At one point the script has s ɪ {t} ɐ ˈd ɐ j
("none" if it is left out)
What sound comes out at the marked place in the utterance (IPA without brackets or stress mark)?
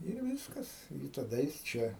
t